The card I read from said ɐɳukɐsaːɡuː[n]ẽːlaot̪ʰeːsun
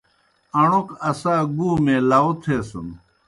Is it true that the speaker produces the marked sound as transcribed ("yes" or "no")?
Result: no